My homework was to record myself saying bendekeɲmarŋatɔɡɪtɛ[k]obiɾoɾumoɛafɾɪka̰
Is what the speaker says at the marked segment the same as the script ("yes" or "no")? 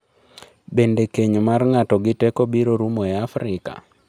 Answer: yes